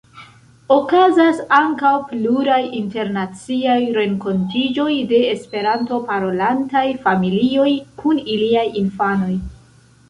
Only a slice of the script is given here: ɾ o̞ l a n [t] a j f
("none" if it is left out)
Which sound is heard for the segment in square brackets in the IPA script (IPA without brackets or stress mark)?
t